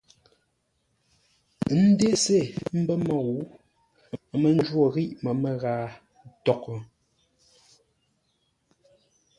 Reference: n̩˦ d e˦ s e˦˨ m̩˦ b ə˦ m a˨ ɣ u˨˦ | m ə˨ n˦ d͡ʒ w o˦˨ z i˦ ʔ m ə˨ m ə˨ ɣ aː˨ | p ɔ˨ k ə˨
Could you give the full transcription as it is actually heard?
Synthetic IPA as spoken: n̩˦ d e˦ s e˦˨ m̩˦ b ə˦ m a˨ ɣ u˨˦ | m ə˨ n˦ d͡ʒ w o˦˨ ɣ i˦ ʔ m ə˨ m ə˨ ɣ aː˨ | t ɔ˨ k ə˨